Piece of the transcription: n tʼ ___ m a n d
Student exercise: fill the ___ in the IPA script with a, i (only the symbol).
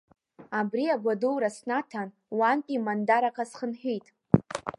i